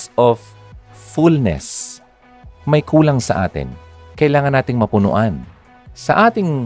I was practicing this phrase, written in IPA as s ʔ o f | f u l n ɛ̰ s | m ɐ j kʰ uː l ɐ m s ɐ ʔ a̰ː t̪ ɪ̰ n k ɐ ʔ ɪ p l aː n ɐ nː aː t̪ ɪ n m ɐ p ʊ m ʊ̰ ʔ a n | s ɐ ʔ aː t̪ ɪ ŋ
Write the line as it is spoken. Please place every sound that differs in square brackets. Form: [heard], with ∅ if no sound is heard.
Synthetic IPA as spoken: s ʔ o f | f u l n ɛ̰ s | m ɐ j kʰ uː l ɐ [ŋ] s ɐ ʔ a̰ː t̪ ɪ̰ n k ɐ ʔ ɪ [∅] l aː [ŋ] ɐ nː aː t̪ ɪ [ŋ] m ɐ p ʊ [n] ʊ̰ ʔ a n | s ɐ ʔ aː t̪ ɪ ŋ